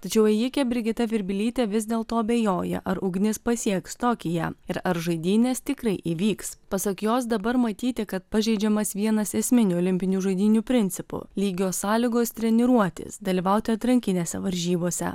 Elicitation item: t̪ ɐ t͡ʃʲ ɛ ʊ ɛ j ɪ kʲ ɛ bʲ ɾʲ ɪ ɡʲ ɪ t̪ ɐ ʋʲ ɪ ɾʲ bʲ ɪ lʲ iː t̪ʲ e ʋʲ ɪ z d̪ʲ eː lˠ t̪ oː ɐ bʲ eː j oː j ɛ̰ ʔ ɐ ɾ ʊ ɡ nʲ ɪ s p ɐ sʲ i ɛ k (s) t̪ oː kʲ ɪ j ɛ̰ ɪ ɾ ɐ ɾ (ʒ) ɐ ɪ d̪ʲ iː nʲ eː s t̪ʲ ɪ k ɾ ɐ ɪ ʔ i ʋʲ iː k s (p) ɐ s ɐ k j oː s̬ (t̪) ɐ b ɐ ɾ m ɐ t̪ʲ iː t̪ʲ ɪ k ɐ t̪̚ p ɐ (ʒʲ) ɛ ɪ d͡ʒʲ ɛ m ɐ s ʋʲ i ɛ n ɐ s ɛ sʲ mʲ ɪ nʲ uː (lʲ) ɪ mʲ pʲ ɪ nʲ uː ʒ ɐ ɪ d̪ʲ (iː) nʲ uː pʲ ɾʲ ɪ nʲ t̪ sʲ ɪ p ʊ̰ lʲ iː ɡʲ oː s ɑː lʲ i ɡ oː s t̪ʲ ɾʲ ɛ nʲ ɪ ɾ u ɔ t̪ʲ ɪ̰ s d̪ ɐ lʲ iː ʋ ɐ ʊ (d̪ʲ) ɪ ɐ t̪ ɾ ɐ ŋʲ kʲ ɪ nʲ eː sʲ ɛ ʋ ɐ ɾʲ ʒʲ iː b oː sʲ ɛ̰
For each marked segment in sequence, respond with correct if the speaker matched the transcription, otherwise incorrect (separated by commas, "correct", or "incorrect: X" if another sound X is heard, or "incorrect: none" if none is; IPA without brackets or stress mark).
correct, correct, correct, incorrect: d̪, correct, correct, correct, incorrect: t̪ʲ